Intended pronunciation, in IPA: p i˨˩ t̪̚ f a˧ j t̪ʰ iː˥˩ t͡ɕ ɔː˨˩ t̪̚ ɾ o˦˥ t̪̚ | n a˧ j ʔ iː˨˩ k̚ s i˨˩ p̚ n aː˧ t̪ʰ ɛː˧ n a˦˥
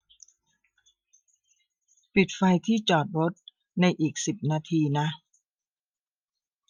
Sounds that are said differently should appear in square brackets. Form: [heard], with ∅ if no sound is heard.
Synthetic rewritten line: p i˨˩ t̪̚ f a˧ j t̪ʰ iː˥˩ t͡ɕ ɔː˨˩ t̪̚ ɾ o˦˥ t̪̚ | n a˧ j ʔ iː˨˩ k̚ s i˨˩ p̚ n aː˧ t̪ʰ [iː˧] n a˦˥